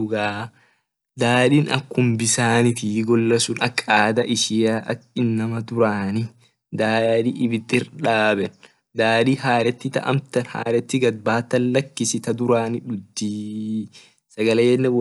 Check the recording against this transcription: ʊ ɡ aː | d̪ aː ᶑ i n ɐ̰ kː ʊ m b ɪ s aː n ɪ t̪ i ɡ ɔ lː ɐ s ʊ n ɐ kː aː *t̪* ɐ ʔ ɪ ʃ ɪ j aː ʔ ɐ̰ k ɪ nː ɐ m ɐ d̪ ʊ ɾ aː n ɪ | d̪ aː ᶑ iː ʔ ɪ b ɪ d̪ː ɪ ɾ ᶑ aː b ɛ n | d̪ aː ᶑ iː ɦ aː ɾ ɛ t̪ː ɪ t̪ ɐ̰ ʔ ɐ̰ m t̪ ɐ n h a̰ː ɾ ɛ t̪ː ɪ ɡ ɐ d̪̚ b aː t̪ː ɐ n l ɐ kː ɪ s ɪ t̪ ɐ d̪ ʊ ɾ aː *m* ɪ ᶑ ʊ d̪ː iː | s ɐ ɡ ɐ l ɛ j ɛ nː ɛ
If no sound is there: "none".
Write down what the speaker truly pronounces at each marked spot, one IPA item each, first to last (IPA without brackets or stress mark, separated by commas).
d̪, n